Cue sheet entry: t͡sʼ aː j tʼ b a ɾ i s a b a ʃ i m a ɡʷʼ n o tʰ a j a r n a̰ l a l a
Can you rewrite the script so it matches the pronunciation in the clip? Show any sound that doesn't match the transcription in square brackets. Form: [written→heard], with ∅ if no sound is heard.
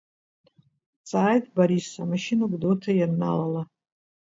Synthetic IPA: t͡sʼ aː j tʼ b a ɾ i s a [b→m] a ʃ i [m→n] a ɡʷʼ [n→d] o tʰ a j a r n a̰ l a l a

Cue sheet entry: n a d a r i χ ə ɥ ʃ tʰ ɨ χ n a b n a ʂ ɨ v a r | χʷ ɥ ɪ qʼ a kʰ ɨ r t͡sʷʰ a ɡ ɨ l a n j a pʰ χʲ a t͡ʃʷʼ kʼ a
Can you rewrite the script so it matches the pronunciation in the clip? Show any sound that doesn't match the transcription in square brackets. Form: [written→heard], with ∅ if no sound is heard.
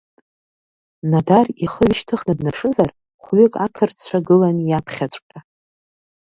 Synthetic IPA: n a d a r i χ ə ɥ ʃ tʰ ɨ χ n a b n a ʂ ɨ [v→z] a r | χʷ ɥ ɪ [qʼ→kʼ] a kʰ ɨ r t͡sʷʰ a ɡ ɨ l a n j a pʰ χʲ a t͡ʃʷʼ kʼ a

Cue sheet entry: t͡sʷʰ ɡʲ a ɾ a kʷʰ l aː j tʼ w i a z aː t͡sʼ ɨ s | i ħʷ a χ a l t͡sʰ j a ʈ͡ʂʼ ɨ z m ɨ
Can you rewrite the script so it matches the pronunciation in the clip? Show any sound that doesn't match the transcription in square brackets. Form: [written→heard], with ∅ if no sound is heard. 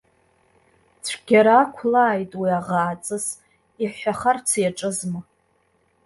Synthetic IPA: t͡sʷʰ ɡʲ a ɾ a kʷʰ l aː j tʼ w i a [z→ʁ] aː t͡sʼ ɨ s | i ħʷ a χ a [l→r] t͡sʰ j a ʈ͡ʂʼ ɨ z m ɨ

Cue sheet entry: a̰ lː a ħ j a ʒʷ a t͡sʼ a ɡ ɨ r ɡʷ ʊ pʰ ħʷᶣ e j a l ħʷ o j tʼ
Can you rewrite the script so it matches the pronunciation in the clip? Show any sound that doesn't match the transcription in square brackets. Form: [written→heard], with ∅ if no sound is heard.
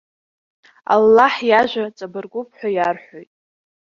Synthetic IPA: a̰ lː a ħ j a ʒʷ a t͡sʼ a [ɡ→b] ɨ r ɡʷ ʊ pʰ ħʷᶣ [e→a] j a [l→r] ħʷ o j tʼ

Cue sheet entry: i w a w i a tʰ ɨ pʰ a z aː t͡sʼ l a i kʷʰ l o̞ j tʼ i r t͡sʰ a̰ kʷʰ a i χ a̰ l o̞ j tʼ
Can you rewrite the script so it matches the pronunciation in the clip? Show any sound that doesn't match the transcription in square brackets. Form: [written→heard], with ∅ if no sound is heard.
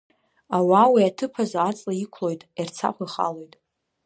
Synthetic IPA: [i→a] w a w i a tʰ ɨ pʰ a z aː t͡sʼ l a i kʷʰ l o̞ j tʼ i r t͡sʰ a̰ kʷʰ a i χ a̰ l o̞ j tʼ

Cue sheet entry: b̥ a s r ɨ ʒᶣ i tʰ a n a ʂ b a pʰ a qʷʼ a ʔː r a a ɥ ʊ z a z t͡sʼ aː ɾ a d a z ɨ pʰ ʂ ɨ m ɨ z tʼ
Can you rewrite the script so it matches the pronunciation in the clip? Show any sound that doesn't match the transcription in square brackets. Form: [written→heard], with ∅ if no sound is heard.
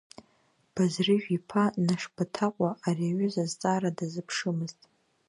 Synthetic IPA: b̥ a [s→z] r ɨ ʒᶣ i [tʰ→pʰ] a n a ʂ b a [pʰ→tʰ] a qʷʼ a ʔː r [a→i] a ɥ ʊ z a z t͡sʼ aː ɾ a d a z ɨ pʰ ʂ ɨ m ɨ z tʼ

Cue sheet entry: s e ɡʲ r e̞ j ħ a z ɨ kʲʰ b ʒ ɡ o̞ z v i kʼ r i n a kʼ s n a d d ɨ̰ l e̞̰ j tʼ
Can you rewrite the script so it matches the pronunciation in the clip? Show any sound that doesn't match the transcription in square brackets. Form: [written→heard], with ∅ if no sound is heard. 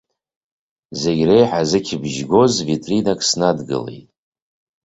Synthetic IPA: [s→z] e ɡʲ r e̞ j ħ a z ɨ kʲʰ b ʒ ɡ o̞ z v i [kʼ→tʼ] r i n a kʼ s n a d [d→ɡ] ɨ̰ l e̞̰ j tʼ

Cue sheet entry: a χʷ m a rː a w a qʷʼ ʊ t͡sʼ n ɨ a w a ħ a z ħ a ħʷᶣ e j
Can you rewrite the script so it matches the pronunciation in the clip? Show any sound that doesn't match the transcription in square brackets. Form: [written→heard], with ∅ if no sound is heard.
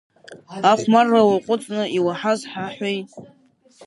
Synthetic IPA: a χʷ m a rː a w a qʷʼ ʊ t͡sʼ n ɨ [a→i] w a ħ a z ħ a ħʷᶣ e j

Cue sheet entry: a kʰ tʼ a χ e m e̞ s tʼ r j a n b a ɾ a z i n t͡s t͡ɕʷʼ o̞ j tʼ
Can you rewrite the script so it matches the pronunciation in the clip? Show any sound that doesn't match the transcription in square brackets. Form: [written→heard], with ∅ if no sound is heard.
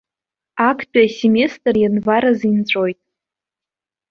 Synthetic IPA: a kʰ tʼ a [χ→s] e m e̞ s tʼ r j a n [b→v] a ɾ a z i n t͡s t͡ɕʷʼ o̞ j tʼ

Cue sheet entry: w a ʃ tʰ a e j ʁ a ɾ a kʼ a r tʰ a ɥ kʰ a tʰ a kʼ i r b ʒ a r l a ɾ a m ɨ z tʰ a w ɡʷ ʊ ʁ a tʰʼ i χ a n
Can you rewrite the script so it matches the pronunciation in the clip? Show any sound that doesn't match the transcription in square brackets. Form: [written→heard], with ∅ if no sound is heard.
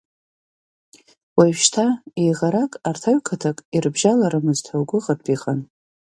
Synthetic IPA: w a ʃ tʰ a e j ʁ a ɾ a kʼ a r tʰ a ɥ kʰ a tʰ a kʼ i r b ʒ a [r→∅] l a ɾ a m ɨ z tʰ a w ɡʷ ʊ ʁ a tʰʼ i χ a n

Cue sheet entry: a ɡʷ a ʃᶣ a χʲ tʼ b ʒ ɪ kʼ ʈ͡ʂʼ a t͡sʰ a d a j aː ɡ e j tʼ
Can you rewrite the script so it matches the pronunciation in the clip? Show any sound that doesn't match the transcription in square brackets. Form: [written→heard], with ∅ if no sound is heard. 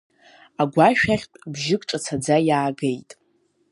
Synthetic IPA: a ɡʷ a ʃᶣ a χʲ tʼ b ʒ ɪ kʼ ʈ͡ʂʼ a t͡sʰ a [d→d͡z] a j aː ɡ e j tʼ

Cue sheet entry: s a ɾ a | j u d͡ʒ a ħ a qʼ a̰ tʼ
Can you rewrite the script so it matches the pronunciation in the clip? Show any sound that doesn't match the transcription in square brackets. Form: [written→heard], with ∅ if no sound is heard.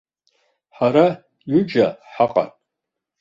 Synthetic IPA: [s→ħ] a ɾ a | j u d͡ʒ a ħ a qʼ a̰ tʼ

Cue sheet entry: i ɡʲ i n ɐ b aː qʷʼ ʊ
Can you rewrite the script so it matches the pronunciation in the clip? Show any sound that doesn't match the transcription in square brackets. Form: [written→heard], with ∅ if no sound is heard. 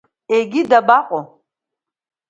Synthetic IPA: [i→e] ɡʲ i [n→d] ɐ b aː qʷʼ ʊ

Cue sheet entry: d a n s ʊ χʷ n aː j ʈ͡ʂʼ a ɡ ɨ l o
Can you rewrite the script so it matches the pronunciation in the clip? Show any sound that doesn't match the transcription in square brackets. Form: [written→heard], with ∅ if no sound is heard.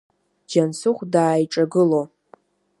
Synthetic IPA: [d→d͡ʒ] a n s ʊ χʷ [n→d] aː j ʈ͡ʂʼ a ɡ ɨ l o

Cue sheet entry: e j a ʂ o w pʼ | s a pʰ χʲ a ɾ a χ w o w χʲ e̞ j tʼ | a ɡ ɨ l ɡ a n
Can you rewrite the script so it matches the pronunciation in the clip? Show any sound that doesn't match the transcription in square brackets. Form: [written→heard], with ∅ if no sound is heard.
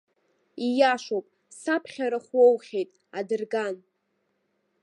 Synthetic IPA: [e→i] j a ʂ o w pʼ | s a pʰ χʲ a ɾ a χ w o w χʲ e̞ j tʼ | a [ɡ→d] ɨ [l→r] ɡ a n

